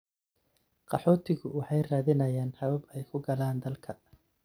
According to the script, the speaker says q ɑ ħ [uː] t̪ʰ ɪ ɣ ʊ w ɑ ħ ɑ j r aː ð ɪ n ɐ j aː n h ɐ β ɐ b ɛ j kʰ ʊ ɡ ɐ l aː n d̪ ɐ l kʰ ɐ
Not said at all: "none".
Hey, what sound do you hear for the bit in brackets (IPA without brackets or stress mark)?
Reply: ɔː